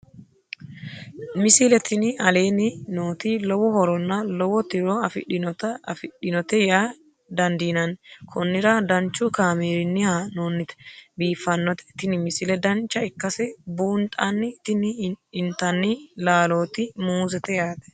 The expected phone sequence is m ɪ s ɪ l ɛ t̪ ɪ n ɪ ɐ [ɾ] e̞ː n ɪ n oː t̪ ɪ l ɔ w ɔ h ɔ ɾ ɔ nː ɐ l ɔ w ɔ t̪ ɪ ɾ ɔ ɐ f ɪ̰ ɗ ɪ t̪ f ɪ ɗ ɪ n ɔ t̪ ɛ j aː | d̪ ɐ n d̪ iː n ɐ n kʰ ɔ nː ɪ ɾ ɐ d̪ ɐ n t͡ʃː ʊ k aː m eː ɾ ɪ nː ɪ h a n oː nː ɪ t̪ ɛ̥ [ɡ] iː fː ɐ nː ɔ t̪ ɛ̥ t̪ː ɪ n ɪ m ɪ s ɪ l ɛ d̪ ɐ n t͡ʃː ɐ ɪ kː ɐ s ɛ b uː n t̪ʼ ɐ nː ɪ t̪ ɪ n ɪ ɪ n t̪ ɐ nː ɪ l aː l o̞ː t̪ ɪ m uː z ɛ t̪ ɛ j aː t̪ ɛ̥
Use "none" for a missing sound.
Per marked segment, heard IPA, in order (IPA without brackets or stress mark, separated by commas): l, b